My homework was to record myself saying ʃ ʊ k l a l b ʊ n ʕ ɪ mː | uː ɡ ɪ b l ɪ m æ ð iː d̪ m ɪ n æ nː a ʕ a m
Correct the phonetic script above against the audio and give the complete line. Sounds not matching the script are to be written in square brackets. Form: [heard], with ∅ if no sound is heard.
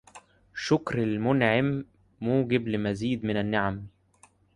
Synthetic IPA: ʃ ʊ k [ɾ] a l [m] ʊ n ʕ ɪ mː | uː ɡ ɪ b l ɪ m æ [z] iː d̪ m ɪ n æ nː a ʕ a m

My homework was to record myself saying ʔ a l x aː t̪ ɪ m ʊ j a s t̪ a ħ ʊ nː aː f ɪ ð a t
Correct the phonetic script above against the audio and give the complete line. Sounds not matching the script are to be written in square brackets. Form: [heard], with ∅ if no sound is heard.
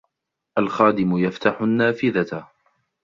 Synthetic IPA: ʔ a l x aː [d̪] ɪ m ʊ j a [f] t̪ a ħ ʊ nː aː f ɪ ð a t

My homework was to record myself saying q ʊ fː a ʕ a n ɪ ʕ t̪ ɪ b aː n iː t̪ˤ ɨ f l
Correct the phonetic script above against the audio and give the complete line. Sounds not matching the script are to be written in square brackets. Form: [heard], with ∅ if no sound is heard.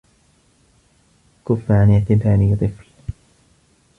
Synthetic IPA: [k] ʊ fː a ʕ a n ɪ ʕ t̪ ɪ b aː n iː t̪ˤ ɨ f l

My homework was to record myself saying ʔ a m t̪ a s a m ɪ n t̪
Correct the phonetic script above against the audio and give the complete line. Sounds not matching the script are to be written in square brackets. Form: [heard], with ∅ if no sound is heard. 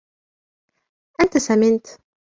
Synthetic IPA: ʔ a [n] t̪ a s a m ɪ n t̪

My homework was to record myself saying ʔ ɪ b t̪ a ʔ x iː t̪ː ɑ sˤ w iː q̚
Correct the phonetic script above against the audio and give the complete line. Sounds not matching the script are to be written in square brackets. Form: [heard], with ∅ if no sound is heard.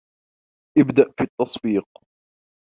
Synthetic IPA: ʔ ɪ b [d̪] a ʔ [f] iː t̪ː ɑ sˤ [b] iː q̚

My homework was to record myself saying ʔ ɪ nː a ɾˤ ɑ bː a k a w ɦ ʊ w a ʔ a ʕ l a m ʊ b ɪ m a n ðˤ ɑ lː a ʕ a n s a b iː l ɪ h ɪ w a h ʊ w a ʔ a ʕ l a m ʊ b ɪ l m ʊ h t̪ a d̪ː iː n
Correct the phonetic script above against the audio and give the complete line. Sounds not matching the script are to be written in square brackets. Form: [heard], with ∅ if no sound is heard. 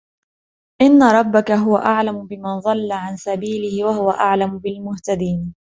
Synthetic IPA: ʔ ɪ nː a ɾˤ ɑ bː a k a [∅] ɦ ʊ w a ʔ a ʕ l a m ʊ b ɪ m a n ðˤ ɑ lː a ʕ a n s a b iː l ɪ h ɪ w a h ʊ w a ʔ a ʕ l a m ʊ b ɪ l m ʊ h t̪ a [d̪] iː n

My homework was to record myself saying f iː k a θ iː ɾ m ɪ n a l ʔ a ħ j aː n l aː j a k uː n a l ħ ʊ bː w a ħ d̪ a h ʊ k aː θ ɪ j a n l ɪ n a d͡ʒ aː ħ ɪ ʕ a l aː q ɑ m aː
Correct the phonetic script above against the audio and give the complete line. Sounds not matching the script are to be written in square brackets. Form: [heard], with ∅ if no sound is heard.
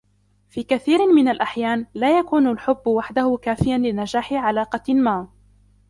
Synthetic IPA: f iː k a θ iː ɾ m ɪ n a l ʔ a ħ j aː n l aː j a k uː n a l ħ ʊ bː w a ħ d̪ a h ʊ k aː [f] ɪ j a n l ɪ n a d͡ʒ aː ħ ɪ ʕ a l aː q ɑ m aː

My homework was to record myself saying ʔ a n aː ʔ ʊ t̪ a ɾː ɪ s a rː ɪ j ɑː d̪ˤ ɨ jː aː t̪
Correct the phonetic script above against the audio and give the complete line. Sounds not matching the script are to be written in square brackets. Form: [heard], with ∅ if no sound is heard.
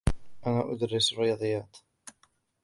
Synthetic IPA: ʔ a n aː ʔ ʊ [d̪] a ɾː ɪ s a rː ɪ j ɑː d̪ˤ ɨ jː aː t̪

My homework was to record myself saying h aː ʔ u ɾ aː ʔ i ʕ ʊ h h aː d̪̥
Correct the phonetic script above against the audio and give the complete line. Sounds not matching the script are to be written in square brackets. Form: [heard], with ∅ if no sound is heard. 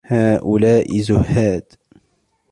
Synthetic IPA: h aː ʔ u [l] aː ʔ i [z] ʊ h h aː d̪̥

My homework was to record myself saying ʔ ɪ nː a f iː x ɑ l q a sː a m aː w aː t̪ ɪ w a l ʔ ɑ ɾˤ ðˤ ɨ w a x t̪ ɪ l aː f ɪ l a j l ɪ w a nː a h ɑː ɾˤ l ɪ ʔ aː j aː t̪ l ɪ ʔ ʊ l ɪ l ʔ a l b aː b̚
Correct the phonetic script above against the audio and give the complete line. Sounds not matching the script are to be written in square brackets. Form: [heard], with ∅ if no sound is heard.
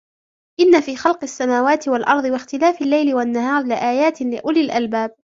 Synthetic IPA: ʔ ɪ nː a f iː x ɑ l q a sː a m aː w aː t̪ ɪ w a l ʔ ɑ ɾˤ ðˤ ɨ w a x t̪ ɪ l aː f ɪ [lː] a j l ɪ w a nː a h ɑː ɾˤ l ɪ ʔ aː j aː t̪ l ɪ ʔ ʊ l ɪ l ʔ a l b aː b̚

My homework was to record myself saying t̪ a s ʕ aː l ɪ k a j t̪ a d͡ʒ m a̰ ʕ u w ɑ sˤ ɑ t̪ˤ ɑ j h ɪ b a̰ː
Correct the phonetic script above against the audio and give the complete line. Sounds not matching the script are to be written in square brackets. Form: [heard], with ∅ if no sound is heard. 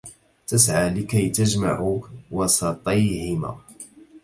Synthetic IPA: t̪ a s ʕ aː l ɪ k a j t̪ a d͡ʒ m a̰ ʕ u w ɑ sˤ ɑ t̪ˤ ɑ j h ɪ [m] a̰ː

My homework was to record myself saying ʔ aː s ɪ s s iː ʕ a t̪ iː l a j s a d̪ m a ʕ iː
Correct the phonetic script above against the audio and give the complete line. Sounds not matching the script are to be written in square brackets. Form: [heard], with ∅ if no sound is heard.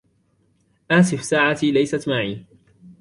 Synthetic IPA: ʔ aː s ɪ [f] s [aː] ʕ a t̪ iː l a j s a [t̪] m a ʕ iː

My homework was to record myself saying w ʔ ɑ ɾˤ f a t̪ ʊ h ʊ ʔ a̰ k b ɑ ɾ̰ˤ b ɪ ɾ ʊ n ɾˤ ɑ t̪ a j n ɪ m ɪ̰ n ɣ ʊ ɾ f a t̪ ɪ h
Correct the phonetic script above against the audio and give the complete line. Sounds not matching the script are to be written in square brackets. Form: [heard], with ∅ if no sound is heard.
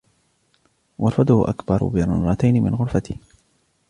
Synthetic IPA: w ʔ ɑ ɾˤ f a [d̪] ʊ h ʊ ʔ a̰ k b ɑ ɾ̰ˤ b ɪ ɾ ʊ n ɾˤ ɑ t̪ a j n ɪ m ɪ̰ n ɣ ʊ ɾ f a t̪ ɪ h

